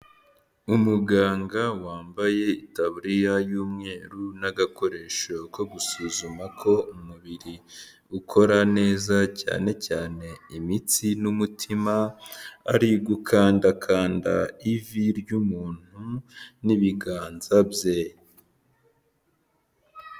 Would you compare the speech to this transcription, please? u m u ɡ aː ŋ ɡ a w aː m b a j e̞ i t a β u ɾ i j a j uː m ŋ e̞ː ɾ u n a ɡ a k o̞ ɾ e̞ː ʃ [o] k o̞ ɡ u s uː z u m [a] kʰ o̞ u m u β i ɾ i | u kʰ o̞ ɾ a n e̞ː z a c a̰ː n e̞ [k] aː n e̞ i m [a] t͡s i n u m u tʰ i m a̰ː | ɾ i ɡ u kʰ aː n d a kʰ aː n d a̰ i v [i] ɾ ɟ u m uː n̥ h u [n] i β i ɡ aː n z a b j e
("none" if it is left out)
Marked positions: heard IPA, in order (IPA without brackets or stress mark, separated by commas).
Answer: o, a, c, i, i, n